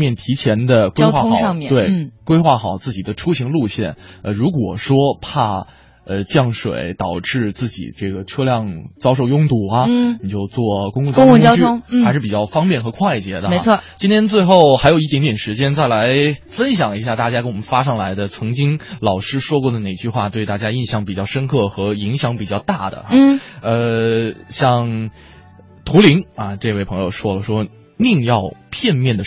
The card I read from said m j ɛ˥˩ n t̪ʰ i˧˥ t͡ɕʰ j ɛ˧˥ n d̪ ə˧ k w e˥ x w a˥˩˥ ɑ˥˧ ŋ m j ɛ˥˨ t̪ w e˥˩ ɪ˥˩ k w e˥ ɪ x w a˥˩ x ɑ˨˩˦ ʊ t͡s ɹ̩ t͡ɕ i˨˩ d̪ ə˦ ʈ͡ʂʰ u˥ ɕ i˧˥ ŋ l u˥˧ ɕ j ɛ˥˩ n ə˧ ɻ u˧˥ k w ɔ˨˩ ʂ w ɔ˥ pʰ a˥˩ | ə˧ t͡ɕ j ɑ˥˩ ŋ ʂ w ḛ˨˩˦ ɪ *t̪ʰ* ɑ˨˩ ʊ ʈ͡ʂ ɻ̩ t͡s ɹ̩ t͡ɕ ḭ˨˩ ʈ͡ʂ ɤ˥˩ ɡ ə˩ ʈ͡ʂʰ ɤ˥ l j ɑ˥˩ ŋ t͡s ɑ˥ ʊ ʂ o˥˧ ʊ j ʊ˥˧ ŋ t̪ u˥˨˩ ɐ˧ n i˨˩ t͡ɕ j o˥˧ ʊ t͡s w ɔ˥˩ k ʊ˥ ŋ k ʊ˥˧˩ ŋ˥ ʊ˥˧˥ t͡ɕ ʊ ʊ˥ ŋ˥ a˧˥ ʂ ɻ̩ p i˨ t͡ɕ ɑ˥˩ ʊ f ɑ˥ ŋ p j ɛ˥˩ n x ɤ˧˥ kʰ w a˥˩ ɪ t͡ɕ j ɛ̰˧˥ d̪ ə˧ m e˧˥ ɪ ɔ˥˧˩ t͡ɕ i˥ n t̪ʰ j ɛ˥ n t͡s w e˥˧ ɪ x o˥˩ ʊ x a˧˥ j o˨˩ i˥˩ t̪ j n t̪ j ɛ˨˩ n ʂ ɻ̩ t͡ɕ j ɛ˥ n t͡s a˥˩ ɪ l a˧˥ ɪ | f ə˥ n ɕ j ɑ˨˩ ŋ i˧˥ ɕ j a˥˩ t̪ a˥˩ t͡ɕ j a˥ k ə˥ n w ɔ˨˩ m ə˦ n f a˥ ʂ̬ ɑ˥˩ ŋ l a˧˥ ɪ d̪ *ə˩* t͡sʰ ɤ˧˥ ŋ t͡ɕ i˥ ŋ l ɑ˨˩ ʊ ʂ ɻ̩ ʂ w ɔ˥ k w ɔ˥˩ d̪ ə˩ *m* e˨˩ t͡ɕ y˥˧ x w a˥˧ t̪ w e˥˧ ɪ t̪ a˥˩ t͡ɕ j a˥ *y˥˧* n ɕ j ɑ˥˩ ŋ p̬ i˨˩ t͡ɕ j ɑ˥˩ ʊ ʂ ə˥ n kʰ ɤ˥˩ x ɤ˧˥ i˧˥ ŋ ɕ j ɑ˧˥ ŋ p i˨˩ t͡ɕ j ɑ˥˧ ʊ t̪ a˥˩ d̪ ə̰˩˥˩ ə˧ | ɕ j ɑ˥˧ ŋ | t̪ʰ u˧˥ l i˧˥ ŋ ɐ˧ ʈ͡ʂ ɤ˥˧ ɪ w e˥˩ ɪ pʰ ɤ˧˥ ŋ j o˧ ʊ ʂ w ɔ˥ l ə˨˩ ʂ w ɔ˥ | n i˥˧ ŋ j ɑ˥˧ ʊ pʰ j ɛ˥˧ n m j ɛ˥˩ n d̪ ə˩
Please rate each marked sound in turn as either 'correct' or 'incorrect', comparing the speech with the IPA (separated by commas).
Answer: incorrect, incorrect, incorrect, incorrect